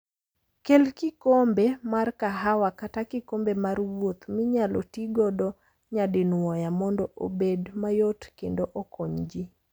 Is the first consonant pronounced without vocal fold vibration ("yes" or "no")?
yes